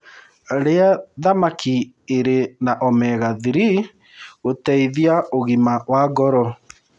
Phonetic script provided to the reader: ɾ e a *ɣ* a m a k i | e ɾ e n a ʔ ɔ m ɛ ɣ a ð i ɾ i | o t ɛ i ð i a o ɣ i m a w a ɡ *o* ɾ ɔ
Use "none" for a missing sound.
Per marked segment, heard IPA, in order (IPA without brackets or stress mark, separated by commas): ð, ɔ